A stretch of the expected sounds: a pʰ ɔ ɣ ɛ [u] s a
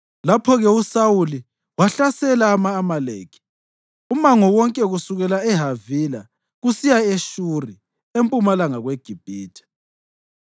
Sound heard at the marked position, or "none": u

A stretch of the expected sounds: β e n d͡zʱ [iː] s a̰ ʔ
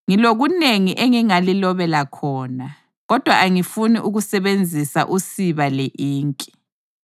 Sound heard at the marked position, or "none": i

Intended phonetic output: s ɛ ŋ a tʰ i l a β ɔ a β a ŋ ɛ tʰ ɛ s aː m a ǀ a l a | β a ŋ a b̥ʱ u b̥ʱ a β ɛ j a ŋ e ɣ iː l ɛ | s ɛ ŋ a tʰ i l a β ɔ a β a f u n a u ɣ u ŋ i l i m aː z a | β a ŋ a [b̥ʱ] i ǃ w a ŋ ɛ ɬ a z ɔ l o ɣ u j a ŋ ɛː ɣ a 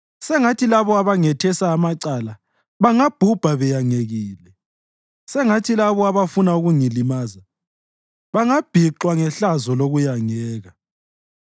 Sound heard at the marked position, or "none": b̥ʱ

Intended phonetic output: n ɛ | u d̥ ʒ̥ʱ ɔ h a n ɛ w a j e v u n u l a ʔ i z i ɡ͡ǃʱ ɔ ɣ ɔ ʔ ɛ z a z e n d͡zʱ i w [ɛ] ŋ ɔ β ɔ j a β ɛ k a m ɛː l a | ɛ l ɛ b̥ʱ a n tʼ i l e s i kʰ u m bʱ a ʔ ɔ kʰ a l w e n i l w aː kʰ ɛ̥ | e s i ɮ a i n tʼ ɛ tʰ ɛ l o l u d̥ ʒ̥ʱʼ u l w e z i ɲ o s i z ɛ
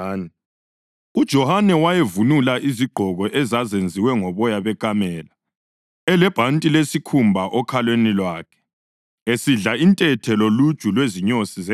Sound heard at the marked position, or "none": ɛ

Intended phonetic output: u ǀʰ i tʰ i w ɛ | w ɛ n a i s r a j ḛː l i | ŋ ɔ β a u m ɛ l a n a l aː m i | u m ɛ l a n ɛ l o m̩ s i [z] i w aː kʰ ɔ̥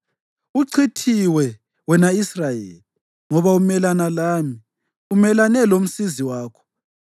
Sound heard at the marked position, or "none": z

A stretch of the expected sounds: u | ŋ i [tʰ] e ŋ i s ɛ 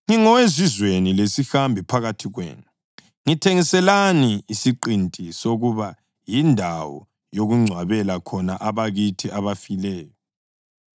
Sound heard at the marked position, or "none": tʰ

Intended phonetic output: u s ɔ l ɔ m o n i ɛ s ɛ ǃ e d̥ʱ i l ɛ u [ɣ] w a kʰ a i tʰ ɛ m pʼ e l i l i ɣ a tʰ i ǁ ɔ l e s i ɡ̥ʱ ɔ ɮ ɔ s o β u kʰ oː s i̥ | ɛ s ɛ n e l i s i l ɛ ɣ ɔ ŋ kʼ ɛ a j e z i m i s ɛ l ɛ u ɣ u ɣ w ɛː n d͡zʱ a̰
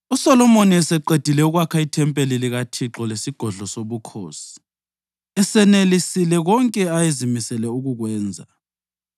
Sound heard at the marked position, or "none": ɣ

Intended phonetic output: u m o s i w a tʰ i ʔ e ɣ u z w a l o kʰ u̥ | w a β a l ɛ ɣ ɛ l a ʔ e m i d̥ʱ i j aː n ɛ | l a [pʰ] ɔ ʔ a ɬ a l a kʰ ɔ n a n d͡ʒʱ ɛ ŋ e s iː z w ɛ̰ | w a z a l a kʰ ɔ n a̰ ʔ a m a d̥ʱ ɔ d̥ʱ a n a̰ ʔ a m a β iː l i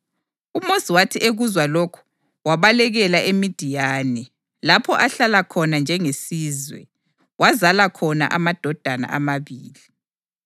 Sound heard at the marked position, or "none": pʰ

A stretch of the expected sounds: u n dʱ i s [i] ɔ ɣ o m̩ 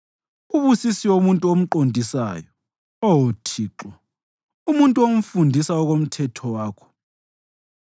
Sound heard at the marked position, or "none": a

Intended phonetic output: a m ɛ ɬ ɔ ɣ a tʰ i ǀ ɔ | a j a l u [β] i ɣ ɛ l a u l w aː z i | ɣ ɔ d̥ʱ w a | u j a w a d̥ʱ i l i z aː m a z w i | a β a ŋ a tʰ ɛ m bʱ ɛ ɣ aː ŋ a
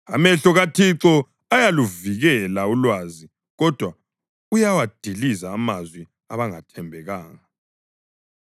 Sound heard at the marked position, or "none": v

